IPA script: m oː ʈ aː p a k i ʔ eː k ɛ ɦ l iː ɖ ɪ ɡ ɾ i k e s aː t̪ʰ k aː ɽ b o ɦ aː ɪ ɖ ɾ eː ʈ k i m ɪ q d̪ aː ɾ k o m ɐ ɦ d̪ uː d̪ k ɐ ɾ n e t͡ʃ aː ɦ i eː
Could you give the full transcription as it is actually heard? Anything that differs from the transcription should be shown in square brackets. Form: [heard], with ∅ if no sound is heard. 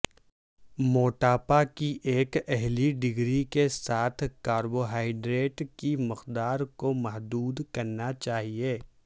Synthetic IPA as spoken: m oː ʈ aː p a k i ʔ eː k ɛ ɦ l [i] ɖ ɪ ɡ ɾ i k e s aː t̪ʰ k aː [ɾ] b o ɦ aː ɪ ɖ ɾ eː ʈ k i m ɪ q d̪ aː ɾ k o m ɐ ɦ d̪ uː d̪ k ɐ ɾ n [a] t͡ʃ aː ɦ i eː